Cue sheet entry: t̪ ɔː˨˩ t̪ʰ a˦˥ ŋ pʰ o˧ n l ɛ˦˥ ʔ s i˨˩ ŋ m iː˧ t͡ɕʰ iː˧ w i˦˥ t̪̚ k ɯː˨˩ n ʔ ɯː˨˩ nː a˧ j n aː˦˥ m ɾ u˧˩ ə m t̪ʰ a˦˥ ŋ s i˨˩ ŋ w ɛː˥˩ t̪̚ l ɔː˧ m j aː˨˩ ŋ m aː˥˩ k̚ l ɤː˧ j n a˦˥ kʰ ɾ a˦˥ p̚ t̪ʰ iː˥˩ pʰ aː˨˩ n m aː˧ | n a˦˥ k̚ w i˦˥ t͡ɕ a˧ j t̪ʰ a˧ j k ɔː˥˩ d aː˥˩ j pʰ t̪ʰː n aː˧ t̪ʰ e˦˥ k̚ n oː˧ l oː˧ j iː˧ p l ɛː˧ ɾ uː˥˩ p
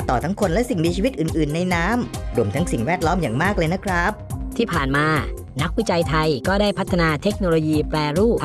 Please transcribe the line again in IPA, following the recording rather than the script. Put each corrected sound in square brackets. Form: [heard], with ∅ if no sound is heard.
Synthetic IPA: t̪ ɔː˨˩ t̪ʰ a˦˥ ŋ [kʰ] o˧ n l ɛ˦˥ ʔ s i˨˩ ŋ m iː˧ t͡ɕʰ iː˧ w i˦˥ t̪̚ [ʔ] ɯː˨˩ n ʔ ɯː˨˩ nː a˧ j n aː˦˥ m ɾ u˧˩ ə m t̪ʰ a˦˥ ŋ s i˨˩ ŋ w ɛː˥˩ t̪̚ l [ɔː˦˥] m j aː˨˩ ŋ m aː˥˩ k̚ l ɤː˧ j n a˦˥ kʰ ɾ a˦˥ p̚ t̪ʰ iː˥˩ pʰ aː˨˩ n m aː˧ | n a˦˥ k̚ w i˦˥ t͡ɕ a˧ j t̪ʰ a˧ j k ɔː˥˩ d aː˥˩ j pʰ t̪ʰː n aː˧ t̪ʰ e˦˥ k̚ n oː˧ l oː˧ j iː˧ p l ɛː˧ ɾ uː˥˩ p